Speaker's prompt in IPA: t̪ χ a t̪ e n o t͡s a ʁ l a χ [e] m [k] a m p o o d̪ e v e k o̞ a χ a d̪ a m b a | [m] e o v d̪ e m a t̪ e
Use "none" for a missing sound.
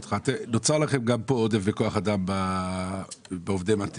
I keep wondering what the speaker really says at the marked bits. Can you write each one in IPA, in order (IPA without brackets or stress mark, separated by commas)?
e, ɡ, b